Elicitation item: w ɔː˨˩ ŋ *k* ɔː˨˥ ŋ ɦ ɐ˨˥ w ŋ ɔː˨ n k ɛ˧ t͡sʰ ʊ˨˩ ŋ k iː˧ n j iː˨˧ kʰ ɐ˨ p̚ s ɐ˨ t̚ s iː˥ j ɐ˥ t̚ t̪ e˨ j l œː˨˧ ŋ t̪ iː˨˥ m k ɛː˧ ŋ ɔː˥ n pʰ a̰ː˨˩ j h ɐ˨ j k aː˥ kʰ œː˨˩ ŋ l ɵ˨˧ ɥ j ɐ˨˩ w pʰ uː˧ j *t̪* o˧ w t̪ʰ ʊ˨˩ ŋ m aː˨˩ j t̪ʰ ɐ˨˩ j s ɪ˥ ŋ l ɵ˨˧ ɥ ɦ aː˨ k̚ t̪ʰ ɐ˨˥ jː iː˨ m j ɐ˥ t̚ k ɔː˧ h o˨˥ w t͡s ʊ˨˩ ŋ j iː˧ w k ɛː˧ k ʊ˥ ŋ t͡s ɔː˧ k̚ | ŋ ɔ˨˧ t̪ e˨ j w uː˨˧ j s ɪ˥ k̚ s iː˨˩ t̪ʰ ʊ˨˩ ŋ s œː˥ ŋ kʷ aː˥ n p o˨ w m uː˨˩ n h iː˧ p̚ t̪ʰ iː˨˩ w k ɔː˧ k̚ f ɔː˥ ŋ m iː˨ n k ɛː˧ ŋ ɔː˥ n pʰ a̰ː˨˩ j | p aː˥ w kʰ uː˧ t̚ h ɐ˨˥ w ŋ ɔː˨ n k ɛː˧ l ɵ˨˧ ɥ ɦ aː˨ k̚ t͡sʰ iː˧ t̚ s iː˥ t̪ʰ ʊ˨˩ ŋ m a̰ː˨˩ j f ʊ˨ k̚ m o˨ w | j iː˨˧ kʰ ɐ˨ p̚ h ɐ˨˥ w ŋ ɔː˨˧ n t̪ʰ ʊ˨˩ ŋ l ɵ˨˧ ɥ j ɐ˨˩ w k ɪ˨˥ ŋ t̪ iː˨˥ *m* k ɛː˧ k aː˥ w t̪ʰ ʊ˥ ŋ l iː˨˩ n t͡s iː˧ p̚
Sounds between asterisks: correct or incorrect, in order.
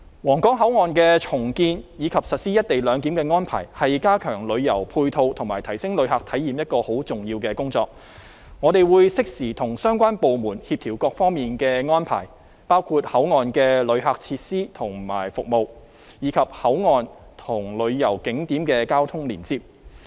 correct, incorrect, correct

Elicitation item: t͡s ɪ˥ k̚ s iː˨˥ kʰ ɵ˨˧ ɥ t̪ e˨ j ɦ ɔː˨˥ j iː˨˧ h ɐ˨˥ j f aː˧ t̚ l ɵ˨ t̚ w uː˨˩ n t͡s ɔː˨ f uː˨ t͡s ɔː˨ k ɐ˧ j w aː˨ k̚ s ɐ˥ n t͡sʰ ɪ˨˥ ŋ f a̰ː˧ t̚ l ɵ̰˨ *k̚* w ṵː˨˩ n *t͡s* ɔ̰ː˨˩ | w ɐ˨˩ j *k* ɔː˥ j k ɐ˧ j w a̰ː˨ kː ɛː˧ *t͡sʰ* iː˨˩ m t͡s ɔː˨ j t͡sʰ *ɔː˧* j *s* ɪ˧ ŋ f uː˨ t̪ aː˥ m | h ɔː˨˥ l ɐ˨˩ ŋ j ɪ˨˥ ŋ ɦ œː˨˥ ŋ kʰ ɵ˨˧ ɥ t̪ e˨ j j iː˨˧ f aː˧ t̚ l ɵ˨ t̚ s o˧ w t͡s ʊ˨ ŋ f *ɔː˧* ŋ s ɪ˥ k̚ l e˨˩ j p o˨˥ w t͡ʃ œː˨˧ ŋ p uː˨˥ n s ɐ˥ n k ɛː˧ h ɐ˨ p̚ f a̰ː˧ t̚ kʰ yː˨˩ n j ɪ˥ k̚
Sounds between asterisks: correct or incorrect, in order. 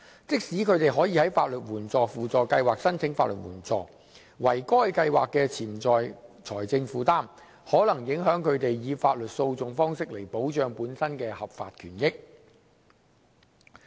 incorrect, correct, correct, correct, incorrect, incorrect, incorrect

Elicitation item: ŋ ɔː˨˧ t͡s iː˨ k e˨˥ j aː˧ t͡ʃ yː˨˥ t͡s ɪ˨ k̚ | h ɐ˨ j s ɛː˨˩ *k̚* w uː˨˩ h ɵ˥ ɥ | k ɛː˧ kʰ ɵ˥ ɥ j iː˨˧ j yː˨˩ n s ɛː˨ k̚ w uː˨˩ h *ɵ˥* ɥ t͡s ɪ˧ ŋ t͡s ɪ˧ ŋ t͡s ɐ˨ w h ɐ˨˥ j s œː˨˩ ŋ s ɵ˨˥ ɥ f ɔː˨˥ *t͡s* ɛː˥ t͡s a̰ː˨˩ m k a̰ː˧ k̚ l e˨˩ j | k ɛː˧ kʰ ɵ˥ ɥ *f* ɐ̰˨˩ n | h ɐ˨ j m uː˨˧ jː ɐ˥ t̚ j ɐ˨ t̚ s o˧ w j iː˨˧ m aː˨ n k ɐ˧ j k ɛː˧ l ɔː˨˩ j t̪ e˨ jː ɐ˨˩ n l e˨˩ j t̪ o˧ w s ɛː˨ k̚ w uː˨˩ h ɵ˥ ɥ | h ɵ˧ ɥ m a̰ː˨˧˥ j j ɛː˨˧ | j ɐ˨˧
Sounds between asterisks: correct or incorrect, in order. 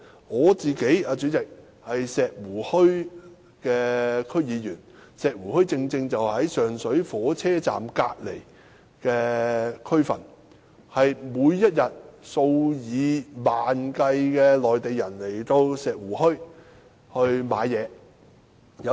correct, correct, incorrect, correct

